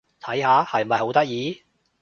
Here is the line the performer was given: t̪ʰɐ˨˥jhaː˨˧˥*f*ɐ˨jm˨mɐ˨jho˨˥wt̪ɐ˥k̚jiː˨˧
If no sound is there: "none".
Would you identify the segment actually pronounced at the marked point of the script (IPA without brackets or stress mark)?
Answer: h